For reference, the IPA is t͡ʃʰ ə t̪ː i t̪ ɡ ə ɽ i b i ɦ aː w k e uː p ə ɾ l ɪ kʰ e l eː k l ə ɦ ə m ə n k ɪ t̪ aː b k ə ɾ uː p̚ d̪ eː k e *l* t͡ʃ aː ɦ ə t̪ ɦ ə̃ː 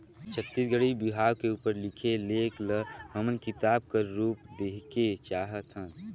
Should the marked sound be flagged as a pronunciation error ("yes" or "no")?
yes